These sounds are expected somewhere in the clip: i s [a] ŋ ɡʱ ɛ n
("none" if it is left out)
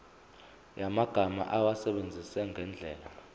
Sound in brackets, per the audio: ɛ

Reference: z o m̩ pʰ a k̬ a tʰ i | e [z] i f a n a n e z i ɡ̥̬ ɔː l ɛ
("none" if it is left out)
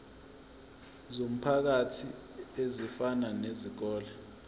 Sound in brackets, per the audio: z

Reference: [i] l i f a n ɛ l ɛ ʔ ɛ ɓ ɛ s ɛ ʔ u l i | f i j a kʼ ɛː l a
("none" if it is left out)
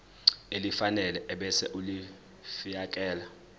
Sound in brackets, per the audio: e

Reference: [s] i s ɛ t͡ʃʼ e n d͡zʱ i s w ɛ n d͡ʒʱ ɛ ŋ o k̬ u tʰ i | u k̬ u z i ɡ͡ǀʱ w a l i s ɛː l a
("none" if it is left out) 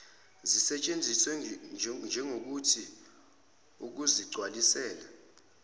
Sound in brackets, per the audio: z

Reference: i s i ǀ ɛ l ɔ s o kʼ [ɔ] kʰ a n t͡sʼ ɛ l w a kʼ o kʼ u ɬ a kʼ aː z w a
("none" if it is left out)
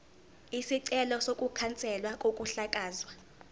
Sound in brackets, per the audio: u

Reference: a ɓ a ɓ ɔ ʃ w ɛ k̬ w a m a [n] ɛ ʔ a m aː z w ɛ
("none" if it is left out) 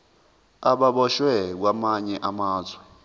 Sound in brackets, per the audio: ɲ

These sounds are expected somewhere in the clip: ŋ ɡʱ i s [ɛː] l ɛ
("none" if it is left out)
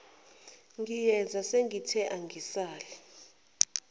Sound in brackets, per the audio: aː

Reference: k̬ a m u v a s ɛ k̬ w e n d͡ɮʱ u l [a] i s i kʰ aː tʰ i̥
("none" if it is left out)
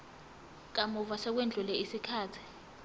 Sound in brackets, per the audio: ɛ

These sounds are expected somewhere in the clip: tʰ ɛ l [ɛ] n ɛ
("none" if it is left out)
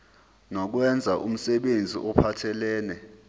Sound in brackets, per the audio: ɛː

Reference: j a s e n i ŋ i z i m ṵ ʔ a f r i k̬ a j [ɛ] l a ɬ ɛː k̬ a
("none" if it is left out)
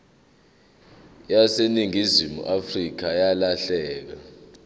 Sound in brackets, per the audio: a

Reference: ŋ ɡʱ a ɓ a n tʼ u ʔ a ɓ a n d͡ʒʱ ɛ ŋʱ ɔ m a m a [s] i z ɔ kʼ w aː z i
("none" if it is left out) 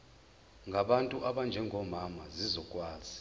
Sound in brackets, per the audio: z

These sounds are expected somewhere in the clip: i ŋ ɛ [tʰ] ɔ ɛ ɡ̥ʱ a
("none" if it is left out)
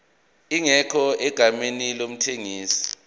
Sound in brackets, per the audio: kʰ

